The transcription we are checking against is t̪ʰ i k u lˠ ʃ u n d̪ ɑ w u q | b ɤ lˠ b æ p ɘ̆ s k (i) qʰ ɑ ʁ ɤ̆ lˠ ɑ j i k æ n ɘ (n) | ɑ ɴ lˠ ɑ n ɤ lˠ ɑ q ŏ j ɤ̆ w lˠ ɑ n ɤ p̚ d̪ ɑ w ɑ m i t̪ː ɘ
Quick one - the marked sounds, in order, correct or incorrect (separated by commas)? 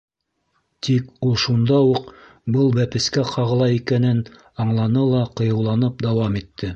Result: incorrect, correct